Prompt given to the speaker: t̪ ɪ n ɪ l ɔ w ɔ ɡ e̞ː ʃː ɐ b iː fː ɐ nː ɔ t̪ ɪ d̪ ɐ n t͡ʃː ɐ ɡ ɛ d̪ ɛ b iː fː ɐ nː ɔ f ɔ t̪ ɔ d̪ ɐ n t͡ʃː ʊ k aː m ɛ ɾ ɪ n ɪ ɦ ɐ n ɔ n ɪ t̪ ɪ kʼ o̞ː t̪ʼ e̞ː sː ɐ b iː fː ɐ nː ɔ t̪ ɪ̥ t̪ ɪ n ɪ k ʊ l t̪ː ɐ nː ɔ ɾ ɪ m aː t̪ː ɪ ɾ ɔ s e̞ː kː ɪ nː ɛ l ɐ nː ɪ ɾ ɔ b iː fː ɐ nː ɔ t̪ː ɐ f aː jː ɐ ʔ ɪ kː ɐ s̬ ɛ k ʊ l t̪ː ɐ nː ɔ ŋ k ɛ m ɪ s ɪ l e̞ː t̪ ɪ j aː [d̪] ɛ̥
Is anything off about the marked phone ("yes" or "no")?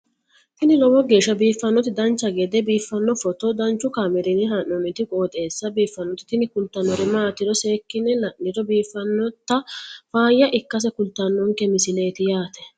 yes